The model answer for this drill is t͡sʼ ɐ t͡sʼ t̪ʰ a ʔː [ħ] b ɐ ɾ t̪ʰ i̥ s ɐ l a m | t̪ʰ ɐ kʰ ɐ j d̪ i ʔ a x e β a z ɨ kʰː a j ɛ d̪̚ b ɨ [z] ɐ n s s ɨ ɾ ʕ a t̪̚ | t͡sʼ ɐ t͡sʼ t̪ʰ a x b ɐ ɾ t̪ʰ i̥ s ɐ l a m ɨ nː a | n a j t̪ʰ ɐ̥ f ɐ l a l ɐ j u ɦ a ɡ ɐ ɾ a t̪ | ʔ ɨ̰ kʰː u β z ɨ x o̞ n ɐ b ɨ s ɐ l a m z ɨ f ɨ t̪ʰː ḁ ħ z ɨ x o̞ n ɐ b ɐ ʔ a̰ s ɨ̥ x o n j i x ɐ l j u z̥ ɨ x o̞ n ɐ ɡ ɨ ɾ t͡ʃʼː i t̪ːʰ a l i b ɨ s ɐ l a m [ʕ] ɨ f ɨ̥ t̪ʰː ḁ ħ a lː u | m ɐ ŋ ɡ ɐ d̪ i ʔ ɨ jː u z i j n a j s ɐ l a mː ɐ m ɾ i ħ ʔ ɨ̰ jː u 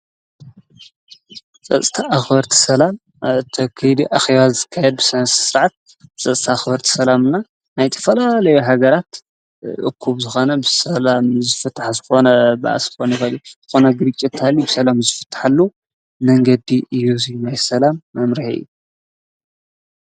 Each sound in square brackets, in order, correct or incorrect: incorrect: x, incorrect: s, incorrect: z

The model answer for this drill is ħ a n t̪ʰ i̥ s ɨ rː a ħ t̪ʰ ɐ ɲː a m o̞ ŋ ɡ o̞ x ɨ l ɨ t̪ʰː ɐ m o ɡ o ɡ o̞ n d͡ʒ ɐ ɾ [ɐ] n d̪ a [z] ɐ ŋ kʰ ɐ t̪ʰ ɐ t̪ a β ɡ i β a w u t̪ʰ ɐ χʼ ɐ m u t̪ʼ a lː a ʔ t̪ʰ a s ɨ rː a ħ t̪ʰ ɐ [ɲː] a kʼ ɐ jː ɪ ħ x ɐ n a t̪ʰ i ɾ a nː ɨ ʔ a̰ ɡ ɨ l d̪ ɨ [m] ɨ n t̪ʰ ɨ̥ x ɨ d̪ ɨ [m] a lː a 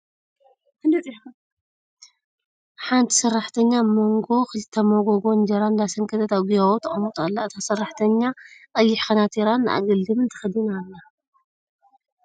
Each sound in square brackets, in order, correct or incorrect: incorrect: a, incorrect: s, correct, correct, incorrect: n

